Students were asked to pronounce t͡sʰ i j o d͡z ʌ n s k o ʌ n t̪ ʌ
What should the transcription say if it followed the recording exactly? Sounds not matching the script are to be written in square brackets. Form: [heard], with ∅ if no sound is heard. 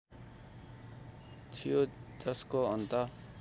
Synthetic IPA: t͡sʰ i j o d͡z ʌ [∅] s k o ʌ n t̪ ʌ